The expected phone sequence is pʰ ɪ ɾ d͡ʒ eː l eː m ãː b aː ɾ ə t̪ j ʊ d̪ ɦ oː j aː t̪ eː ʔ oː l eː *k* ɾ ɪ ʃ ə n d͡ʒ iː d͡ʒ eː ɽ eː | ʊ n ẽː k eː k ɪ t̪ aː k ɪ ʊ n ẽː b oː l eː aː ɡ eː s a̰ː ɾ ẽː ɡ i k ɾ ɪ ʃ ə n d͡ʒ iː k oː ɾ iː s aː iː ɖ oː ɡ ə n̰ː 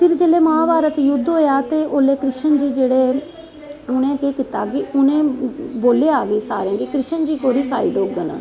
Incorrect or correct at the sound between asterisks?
correct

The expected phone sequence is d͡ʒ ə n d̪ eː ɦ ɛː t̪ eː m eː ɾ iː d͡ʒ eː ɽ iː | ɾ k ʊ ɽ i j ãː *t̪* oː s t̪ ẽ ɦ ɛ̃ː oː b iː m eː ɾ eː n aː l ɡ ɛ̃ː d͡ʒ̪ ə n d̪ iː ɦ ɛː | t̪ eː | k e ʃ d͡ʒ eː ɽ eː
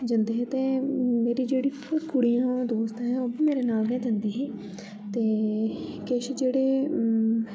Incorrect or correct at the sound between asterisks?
incorrect: d̪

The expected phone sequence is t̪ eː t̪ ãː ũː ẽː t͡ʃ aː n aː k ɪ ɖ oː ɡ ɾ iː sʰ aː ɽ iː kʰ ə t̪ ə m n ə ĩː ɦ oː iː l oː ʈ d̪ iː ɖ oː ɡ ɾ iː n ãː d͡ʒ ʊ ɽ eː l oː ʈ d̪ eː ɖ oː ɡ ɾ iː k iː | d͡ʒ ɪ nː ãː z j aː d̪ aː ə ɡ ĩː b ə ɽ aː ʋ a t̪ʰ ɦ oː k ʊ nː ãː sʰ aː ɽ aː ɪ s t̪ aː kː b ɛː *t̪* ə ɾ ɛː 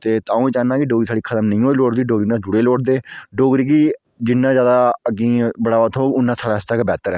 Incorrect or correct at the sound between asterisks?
correct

